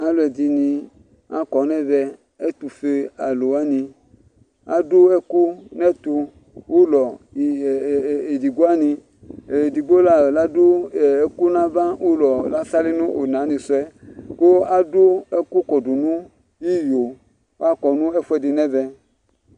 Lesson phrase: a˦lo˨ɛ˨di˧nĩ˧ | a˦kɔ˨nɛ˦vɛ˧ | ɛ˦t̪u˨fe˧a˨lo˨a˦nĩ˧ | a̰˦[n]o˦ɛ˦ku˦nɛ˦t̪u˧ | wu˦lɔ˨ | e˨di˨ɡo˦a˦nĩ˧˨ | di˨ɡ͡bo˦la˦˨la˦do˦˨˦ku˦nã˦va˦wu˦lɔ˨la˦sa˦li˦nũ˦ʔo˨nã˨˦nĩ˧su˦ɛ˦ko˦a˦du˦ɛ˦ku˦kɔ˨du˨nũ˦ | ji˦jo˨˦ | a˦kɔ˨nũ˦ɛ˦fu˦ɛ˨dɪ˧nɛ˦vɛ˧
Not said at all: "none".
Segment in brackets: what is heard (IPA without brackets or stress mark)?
d